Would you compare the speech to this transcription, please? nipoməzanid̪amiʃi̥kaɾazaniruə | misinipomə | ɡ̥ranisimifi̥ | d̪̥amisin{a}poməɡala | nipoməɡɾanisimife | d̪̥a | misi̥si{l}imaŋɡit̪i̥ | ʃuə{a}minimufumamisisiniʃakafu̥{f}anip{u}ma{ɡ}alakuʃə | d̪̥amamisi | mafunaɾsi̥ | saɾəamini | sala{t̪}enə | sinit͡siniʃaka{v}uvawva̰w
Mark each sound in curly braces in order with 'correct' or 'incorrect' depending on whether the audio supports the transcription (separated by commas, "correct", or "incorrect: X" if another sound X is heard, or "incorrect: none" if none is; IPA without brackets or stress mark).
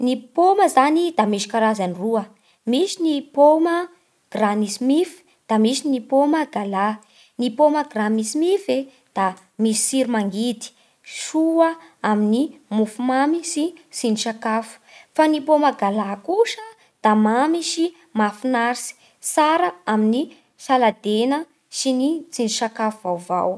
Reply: incorrect: i, incorrect: ɾ, correct, correct, incorrect: o, correct, incorrect: d̪, incorrect: f